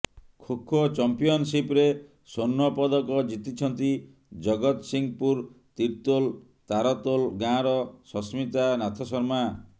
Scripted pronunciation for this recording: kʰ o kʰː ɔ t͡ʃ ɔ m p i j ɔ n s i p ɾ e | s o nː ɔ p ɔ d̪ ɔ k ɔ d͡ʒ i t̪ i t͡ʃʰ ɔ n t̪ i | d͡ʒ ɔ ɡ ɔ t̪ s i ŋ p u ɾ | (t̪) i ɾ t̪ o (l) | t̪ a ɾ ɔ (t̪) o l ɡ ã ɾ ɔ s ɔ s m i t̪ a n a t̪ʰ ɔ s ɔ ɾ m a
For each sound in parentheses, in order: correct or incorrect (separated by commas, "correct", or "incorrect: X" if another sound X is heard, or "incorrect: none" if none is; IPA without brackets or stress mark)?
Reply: correct, correct, correct